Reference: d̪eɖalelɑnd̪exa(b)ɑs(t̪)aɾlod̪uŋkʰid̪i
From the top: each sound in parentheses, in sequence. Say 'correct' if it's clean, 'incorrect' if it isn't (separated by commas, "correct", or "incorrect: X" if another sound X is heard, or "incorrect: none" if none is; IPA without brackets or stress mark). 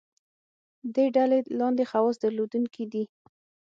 incorrect: w, incorrect: d̪